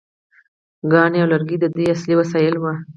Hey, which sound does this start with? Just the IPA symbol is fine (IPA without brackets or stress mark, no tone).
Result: ɡ